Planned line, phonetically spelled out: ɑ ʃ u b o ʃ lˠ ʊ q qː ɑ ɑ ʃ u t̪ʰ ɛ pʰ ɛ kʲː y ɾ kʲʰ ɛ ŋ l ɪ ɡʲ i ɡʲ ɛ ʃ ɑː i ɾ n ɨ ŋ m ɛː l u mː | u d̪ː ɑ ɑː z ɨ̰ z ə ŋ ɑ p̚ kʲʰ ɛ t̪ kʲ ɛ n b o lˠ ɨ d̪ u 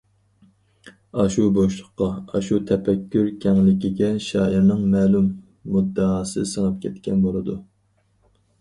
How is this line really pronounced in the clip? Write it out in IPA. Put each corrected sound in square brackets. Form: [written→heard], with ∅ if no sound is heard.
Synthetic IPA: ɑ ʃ u b o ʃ lˠ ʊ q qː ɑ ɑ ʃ u t̪ʰ ɛ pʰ ɛ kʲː y ɾ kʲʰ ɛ ŋ l ɪ [ɡʲ→kʲ] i ɡʲ ɛ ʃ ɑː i ɾ n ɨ ŋ m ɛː l u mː | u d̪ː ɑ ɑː [z→s] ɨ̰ [z→s] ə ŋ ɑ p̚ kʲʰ ɛ t̪ kʲ ɛ n b o lˠ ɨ d̪ u